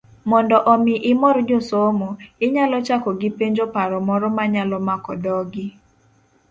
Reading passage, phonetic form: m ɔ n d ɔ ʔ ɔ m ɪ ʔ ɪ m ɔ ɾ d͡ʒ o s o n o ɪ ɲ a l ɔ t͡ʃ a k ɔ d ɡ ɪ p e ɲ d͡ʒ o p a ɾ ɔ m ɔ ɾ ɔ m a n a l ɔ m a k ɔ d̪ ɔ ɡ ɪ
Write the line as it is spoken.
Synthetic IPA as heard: m ɔ n d ɔ ʔ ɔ m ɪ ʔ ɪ m ɔ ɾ d͡ʒ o s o m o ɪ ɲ a l ɔ t͡ʃ a k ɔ ɡ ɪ p e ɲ d͡ʒ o p a ɾ ɔ m ɔ ɾ ɔ m a ɲ a l ɔ m a k ɔ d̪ ɔ ɡ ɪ